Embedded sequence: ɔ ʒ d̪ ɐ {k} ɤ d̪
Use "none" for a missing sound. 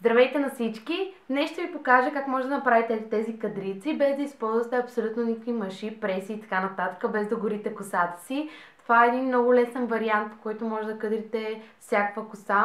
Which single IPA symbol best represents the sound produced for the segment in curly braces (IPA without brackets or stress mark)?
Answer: k